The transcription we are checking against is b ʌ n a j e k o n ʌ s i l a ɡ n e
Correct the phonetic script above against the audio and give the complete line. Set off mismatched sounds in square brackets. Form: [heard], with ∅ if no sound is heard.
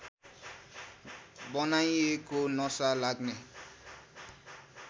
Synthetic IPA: b ʌ n a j e k o n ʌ s [a] l a ɡ n e